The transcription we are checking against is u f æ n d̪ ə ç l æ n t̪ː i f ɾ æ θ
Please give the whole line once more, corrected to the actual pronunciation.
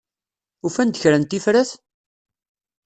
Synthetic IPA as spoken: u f æ n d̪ ə ç ɾ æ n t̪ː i f ɾ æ θ